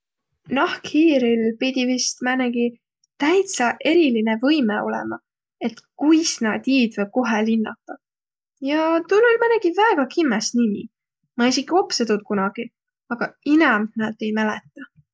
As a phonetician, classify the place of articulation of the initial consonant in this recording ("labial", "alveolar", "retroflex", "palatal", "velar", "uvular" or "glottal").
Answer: alveolar